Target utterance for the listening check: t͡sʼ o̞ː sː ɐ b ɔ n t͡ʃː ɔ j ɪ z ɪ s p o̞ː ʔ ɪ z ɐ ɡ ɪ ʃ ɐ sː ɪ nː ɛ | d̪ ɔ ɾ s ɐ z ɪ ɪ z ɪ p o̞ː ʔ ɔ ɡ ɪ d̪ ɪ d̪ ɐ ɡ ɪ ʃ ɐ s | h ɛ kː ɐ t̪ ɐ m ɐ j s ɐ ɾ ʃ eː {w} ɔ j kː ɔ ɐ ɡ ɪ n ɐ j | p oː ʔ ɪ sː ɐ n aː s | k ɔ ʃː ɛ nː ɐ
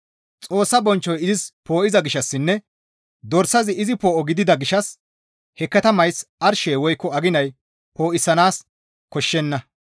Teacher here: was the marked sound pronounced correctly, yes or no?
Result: yes